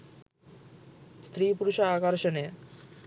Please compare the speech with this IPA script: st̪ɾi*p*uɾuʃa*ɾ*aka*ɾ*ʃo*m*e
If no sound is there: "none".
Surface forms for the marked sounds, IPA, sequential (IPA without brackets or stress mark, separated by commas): p, none, ɾ, n